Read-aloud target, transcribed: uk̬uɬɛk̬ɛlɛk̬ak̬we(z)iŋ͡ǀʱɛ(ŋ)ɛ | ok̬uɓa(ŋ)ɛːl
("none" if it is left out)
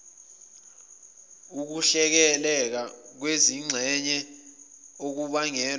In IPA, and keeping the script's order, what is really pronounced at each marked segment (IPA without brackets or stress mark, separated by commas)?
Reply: z, ɲ, ŋ